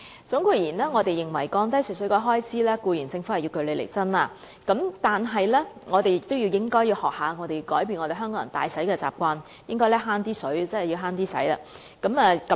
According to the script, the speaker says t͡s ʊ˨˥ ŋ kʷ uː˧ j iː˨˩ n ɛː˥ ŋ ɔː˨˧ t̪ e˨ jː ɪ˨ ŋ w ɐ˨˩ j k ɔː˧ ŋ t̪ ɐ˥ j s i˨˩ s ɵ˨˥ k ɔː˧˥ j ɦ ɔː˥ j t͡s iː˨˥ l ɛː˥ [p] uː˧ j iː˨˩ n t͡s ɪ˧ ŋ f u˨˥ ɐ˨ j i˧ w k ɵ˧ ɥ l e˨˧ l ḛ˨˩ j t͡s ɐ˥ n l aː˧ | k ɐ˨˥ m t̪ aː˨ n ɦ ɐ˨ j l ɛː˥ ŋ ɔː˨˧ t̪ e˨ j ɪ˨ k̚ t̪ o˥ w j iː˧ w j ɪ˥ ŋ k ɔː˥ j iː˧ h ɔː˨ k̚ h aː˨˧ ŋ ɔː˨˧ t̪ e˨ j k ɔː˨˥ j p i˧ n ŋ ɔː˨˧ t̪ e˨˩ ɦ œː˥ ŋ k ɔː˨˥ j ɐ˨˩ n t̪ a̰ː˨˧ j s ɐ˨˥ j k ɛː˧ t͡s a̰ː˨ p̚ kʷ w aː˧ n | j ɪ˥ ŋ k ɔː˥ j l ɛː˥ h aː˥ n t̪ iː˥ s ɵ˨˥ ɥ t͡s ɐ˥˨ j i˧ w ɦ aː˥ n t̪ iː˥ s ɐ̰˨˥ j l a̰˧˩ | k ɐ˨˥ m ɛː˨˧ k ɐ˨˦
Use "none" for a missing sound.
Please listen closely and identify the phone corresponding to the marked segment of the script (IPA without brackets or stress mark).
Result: k